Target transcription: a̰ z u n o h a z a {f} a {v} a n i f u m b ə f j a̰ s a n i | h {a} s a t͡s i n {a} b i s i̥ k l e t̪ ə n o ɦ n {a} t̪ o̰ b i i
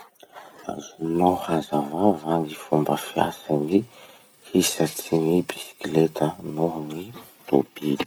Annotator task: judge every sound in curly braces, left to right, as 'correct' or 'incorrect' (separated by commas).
incorrect, correct, incorrect, incorrect, incorrect